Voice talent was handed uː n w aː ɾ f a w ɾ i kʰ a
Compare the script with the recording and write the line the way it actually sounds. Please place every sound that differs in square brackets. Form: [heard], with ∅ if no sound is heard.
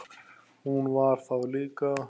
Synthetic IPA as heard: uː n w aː ɾ f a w [l] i [k] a